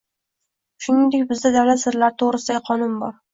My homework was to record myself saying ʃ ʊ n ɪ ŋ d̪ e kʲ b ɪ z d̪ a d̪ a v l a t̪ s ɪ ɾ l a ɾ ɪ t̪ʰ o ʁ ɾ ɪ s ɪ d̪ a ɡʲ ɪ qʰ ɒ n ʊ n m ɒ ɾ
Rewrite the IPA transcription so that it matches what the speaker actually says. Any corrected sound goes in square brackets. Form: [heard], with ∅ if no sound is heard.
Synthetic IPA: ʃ ʊ n ɪ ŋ d̪ e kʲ b ɪ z d̪ a d̪ a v l a t̪ s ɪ ɾ l a ɾ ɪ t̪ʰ o ʁ ɾ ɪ s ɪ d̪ a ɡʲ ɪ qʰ ɒ n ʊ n [b] ɒ ɾ